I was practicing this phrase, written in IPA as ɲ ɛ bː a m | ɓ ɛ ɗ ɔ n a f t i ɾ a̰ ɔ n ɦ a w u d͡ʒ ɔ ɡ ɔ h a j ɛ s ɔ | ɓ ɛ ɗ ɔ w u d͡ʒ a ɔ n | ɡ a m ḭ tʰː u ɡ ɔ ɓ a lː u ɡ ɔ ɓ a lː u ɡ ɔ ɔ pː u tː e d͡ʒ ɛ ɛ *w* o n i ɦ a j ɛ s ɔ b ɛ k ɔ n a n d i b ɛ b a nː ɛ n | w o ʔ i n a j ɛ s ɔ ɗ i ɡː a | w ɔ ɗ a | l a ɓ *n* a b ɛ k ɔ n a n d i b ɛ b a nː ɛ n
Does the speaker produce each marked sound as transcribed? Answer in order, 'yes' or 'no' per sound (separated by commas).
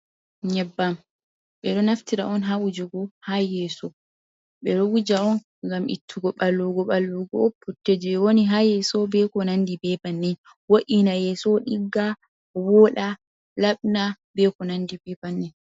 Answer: yes, yes